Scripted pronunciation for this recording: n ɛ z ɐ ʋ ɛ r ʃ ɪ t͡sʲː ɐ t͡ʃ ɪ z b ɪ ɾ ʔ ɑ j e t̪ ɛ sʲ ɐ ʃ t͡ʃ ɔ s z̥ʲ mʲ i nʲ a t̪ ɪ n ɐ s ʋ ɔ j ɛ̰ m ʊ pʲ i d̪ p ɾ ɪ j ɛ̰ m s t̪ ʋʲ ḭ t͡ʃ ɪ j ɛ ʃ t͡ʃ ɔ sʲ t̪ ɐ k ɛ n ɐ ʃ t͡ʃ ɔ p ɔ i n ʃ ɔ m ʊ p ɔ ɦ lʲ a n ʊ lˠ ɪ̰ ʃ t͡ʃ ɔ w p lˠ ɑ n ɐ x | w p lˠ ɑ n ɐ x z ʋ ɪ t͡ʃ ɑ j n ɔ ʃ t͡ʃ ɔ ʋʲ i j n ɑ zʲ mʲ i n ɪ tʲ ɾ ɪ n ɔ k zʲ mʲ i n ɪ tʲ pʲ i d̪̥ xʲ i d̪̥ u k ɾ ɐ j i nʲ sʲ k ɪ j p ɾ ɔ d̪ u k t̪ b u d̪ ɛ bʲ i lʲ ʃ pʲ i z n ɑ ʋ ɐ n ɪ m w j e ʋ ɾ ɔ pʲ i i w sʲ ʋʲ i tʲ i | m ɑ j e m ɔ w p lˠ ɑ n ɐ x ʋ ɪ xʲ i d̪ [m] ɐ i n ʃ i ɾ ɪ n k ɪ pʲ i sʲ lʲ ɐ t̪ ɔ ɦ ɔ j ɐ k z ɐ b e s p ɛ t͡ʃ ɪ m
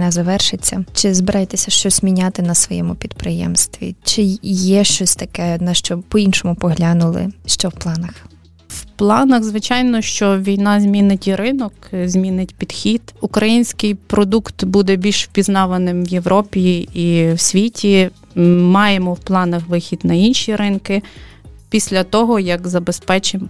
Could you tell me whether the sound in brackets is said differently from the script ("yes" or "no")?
yes